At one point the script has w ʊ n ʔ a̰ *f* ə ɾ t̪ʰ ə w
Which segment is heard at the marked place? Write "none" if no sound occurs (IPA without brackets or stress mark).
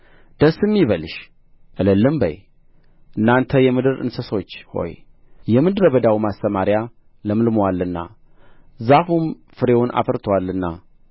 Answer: f